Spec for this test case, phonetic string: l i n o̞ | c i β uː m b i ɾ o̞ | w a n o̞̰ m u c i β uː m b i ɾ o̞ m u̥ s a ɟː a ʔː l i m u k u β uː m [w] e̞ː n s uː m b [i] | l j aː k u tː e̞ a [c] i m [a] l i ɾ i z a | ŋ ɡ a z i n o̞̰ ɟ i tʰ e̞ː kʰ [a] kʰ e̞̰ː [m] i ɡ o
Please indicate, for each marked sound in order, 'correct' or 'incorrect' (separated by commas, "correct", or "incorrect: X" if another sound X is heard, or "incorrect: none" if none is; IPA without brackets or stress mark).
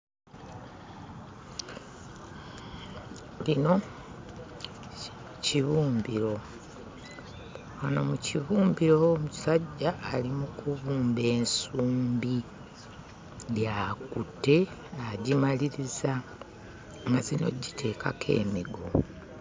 incorrect: b, correct, incorrect: ɟ, correct, correct, correct